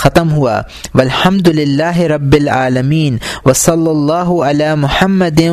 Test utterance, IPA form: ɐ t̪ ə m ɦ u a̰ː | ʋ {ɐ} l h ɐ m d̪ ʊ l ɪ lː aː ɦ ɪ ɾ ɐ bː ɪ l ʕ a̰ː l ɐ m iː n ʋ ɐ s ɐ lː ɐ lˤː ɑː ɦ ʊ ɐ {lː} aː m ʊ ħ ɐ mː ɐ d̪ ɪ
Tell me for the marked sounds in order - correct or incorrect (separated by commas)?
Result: correct, incorrect